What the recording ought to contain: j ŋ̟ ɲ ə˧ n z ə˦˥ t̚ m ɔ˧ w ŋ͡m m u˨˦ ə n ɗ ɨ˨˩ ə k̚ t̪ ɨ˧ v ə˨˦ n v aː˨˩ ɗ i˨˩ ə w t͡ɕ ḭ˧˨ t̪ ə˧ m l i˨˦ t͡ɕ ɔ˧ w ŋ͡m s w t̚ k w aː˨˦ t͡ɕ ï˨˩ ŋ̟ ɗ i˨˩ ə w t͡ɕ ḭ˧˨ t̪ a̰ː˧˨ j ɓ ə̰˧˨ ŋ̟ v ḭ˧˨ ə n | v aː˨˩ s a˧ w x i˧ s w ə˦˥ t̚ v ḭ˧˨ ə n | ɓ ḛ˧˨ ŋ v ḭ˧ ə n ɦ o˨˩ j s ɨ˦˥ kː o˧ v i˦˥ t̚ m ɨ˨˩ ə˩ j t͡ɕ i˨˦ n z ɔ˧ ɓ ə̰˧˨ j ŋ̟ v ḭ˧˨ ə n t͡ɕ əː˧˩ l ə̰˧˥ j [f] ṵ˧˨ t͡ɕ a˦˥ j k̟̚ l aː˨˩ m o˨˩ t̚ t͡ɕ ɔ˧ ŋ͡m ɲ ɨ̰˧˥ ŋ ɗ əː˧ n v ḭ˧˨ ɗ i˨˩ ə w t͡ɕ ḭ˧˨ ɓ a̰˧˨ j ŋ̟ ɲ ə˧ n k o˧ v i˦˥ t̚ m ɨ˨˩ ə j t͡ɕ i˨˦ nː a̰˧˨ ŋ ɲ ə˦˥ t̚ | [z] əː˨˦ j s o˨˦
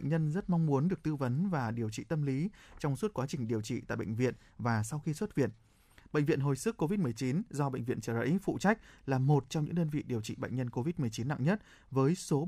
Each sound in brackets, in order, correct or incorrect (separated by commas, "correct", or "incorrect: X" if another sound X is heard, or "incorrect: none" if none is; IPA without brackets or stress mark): correct, incorrect: v